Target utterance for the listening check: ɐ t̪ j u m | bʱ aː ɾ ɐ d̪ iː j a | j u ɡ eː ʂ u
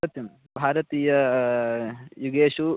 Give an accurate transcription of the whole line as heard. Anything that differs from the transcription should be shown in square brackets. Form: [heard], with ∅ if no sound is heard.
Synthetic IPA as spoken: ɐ t̪ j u m | bʱ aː ɾ ɐ [t̪] iː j [ɐ] | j u ɡ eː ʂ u

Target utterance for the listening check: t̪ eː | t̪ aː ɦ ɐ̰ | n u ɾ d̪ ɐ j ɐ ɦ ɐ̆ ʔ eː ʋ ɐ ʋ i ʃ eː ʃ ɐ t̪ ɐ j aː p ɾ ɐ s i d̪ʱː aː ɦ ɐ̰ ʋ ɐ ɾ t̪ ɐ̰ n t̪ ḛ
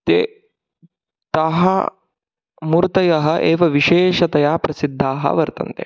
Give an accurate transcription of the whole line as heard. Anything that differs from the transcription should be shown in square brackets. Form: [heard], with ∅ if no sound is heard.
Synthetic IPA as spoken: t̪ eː | t̪ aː ɦ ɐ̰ | [m] u ɾ [t̪] ɐ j ɐ ɦ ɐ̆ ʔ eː ʋ ɐ ʋ i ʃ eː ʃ ɐ t̪ ɐ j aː p ɾ ɐ s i d̪ʱː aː ɦ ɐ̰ ʋ ɐ ɾ t̪ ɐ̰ n t̪ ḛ

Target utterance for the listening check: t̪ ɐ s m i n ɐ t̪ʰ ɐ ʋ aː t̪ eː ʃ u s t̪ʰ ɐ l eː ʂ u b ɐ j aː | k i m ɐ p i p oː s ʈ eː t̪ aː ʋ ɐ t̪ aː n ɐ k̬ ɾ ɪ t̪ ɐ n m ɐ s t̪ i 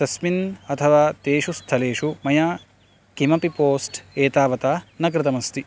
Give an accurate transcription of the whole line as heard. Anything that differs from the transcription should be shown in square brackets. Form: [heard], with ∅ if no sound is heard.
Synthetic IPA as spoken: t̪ ɐ s m i n ɐ t̪ʰ ɐ ʋ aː t̪ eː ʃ u s t̪ʰ ɐ l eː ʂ u [m] ɐ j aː | k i m ɐ p i p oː s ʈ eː t̪ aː ʋ ɐ t̪ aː n ɐ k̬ ɾ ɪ t̪ ɐ [∅] m ɐ s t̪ i

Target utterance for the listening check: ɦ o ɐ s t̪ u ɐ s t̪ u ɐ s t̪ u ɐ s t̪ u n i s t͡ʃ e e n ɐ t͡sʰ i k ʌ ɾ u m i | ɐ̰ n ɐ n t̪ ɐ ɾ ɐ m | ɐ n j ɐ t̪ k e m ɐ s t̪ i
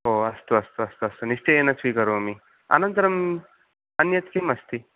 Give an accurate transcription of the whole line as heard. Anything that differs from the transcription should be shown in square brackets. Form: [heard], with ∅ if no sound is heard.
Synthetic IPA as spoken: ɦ o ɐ s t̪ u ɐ s t̪ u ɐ s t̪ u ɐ s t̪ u n i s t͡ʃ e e n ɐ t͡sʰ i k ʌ ɾ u m i | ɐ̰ n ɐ n t̪ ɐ ɾ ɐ m | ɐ n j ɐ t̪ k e m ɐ s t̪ i

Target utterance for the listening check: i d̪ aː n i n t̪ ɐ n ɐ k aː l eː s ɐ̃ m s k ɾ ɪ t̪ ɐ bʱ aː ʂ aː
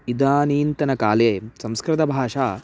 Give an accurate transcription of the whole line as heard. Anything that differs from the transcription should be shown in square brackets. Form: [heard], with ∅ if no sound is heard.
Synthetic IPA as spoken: i d̪ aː n [iː] n t̪ ɐ n ɐ k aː l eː s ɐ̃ m s k ɾ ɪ t̪ ɐ bʱ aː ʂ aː

